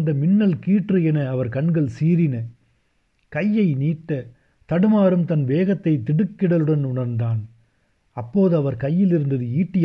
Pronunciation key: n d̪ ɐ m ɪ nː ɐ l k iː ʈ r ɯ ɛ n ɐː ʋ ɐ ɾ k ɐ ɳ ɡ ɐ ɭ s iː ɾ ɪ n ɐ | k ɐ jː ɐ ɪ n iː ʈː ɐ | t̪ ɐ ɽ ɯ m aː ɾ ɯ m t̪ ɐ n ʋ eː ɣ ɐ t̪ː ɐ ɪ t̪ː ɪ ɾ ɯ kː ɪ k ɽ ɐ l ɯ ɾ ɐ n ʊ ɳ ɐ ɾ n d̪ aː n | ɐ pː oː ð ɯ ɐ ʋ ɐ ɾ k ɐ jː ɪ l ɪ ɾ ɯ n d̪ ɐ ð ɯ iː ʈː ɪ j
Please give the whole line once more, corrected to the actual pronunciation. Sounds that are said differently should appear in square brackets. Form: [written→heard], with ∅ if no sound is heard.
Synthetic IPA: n d̪ ɐ m ɪ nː ɐ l k iː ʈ r ɯ ɛ n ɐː ʋ ɐ ɾ k ɐ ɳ ɡ ɐ ɭ s iː ɾ ɪ n ɐ | k ɐ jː ɐ ɪ n iː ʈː ɐ | t̪ ɐ ɽ ɯ m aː ɾ ɯ m t̪ ɐ n ʋ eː ɣ ɐ t̪ː ɐ ɪ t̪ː ɪ [ɾ→ɽ] ɯ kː ɪ [k→∅] ɽ ɐ l ɯ [ɾ→ɽ] ɐ n ʊ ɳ ɐ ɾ n d̪ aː n | ɐ pː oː ð ɯ ɐ ʋ ɐ ɾ k ɐ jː ɪ l ɪ ɾ ɯ n d̪ ɐ ð ɯ iː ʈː ɪ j